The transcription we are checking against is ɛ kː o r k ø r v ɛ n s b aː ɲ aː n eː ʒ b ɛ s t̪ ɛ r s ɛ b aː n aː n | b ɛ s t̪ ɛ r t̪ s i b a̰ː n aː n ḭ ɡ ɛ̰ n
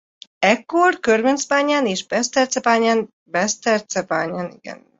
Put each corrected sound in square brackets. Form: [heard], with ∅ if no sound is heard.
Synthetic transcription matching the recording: ɛ kː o r k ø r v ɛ n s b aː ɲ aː n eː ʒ b ɛ s t̪ ɛ r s ɛ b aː [ɲ] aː n | b ɛ s t̪ ɛ r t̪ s [ɛ] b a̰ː [ɲ] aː n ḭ ɡ ɛ̰ n